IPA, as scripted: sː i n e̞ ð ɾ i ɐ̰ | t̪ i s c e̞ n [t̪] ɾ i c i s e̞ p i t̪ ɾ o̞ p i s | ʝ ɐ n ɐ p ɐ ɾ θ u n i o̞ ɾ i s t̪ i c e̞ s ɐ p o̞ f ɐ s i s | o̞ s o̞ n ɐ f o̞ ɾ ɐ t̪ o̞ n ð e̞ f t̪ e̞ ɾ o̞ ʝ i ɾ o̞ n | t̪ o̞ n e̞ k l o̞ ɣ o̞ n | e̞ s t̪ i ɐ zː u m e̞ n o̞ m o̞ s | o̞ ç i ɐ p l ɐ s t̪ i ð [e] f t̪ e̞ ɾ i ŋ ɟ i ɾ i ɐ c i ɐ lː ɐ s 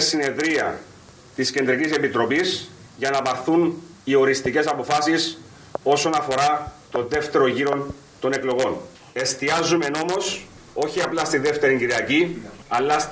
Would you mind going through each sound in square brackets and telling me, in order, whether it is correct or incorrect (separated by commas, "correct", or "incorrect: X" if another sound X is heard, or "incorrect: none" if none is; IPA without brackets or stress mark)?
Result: incorrect: d̪, correct